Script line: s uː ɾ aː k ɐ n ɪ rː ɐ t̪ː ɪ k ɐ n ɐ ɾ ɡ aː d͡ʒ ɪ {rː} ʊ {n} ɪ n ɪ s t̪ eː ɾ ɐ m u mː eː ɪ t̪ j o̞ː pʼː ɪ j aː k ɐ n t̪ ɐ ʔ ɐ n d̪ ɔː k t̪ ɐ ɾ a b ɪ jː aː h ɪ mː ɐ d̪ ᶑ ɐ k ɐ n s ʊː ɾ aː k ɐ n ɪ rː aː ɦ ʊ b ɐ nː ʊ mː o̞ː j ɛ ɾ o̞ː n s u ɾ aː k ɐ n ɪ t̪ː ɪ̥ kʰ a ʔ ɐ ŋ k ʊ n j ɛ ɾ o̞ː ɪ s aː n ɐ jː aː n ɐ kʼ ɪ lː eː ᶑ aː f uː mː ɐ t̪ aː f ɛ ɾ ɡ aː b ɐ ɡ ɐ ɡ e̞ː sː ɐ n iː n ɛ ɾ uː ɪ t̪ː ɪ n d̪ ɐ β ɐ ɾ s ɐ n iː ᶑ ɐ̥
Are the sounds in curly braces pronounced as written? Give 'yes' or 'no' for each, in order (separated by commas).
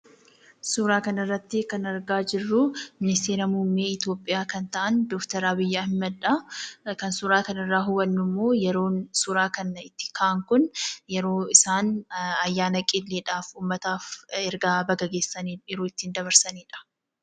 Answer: yes, no